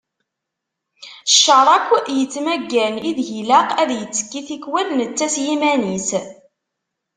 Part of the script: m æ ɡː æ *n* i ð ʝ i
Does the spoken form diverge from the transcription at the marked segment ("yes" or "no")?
no